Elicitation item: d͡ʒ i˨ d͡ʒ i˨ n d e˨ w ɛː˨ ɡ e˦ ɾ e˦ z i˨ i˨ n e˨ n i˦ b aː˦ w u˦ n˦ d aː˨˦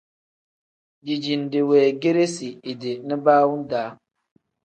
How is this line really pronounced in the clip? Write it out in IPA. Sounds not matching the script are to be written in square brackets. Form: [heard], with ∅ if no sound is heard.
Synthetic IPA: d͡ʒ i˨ d͡ʒ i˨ n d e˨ w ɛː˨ ɡ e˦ ɾ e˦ [s] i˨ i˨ [d] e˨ n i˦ b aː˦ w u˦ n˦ d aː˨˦